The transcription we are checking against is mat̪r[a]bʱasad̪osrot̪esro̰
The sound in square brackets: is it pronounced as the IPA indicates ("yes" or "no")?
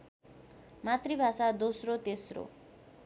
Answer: no